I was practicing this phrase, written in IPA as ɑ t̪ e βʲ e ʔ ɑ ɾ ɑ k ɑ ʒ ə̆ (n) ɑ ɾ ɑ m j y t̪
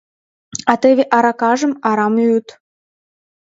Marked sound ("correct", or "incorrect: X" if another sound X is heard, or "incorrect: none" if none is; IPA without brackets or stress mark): incorrect: m